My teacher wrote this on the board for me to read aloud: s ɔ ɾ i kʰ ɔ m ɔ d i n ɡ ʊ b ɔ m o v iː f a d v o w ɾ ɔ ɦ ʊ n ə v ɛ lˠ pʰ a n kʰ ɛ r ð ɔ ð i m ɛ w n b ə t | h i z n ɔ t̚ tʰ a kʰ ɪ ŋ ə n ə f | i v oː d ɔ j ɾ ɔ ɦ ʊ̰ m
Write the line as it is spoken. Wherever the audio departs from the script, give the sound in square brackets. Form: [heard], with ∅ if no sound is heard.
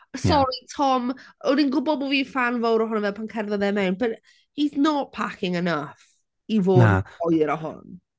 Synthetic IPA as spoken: s ɔ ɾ i [tʰ] ɔ m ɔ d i n ɡ ʊ b ɔ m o v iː f a [n] v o w ɾ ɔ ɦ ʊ n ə v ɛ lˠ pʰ a n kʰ ɛ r ð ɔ ð [ɛ] m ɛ w n b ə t | h i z n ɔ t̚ [pʰ] a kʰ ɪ ŋ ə n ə f | i v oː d ɔ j ɾ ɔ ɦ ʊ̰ [n]